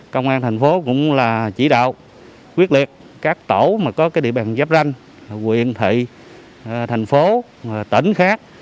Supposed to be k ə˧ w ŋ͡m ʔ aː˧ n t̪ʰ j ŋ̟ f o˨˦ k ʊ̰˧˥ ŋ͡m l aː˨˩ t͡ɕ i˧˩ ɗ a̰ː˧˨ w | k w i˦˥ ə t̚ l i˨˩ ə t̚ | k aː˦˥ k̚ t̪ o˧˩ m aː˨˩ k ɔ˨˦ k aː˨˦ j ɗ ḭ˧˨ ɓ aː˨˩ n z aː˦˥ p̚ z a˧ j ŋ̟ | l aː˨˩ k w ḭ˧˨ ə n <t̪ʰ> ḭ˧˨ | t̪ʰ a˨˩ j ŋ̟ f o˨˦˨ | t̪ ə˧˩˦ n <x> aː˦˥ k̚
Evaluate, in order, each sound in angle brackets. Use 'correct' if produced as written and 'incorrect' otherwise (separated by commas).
correct, correct